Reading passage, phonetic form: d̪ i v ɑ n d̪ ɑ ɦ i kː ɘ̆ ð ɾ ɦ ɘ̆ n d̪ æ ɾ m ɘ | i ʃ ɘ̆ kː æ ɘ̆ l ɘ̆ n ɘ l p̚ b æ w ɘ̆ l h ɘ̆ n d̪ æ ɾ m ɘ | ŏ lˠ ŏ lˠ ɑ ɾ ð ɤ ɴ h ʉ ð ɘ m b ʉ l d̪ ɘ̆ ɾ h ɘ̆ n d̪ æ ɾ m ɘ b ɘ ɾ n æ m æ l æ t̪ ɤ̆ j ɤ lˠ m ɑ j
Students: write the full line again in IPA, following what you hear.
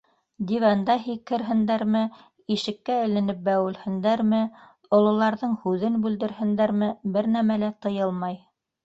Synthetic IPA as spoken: d̪ i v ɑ n d̪ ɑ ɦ i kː ɘ̆ ɾ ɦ ɘ̆ n d̪ æ ɾ m ɘ | i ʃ ɘ̆ kː æ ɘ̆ l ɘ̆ n ɘ p̚ b æ w ɘ̆ l h ɘ̆ n d̪ æ ɾ m ɘ | ŏ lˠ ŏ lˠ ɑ ɾ ð ɤ ɴ h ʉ ð ɘ n b ʉ l d̪ ɘ̆ ɾ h ɘ̆ n d̪ æ ɾ m ɘ b ɘ ɾ n æ m æ l æ t̪ ɤ̆ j ɤ lˠ m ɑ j